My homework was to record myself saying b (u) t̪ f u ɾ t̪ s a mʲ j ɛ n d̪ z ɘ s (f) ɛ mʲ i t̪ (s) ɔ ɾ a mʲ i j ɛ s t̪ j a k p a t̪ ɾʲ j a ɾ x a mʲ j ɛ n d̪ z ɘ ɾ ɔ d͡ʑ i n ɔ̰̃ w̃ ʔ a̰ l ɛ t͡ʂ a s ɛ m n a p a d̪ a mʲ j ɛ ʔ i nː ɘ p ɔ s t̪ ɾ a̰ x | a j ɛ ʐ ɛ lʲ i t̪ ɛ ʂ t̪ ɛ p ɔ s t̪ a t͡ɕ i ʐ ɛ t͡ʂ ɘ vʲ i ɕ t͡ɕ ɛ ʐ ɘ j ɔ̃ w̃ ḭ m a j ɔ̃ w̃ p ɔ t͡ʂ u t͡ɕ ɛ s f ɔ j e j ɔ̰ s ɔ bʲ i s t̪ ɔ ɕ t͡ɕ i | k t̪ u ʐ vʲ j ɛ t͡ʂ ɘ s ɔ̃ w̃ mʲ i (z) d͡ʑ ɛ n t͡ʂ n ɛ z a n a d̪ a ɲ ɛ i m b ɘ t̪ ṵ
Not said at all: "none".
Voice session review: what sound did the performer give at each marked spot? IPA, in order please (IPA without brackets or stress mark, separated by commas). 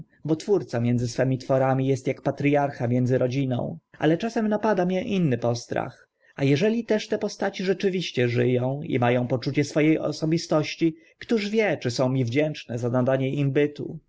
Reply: ɔ, f, f, v